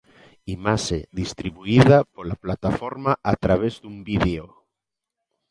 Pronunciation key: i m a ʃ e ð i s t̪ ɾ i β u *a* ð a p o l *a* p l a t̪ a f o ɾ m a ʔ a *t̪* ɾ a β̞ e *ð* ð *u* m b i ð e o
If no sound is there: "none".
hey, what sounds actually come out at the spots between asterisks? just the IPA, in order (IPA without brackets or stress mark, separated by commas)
i, a, t̪, z, u